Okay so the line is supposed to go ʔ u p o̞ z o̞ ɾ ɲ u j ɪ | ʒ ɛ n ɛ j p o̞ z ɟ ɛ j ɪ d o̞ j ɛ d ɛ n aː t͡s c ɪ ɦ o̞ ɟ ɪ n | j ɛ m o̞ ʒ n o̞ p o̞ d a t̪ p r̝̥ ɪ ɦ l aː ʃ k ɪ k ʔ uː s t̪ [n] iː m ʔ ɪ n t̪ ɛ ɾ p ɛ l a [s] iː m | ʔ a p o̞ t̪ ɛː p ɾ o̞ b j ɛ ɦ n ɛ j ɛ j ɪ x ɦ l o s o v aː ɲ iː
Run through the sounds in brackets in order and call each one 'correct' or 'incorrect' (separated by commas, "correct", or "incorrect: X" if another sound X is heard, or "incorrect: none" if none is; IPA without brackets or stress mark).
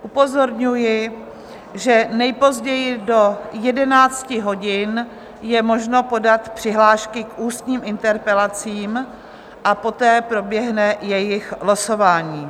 incorrect: ɲ, incorrect: t͡s